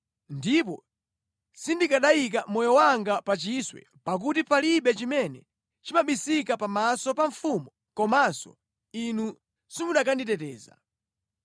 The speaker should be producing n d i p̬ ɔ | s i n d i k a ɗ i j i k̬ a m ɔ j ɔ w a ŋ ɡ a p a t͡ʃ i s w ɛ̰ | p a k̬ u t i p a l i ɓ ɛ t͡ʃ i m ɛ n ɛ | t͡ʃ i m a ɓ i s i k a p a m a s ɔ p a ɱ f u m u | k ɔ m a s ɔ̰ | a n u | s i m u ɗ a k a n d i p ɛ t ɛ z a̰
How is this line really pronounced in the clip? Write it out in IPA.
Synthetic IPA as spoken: n d i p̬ ɔ | s i n d i k a ɗ a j i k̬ a m ɔ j ɔ w a ŋ ɡ a p a t͡ʃ i s w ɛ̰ | p a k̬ u t i p a l i ɓ ɛ t͡ʃ i m ɛ n ɛ | t͡ʃ i m a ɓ i s i k a p a m a s ɔ p a ɱ f u m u | k ɔ m a s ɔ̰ | i n u | s i m u ɗ a k a n d i t ɛ t ɛː z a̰